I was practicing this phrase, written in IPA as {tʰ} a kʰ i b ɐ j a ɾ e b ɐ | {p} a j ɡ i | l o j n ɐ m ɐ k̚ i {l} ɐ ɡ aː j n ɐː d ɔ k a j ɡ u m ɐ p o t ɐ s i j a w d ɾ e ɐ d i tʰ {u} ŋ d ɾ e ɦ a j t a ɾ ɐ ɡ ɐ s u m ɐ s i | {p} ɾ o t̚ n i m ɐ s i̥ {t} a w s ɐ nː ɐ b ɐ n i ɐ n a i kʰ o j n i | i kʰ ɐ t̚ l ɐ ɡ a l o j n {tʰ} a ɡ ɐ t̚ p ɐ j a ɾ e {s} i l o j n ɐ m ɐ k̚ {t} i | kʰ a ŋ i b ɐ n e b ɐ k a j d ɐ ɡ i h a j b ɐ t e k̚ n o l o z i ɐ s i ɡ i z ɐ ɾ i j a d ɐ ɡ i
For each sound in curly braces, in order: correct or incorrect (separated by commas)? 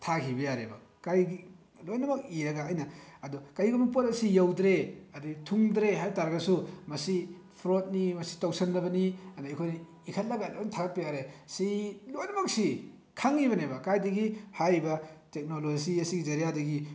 correct, incorrect, incorrect, correct, incorrect, correct, correct, correct, incorrect